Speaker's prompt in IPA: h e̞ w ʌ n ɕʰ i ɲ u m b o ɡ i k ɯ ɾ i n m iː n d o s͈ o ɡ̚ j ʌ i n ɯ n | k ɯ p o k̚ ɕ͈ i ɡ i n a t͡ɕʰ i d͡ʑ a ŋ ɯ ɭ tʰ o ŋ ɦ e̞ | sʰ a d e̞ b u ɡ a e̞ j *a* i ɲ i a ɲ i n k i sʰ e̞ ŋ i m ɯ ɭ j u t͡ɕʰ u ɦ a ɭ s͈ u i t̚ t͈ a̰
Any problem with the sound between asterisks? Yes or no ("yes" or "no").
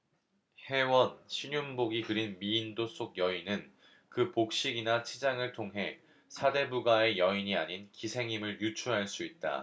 yes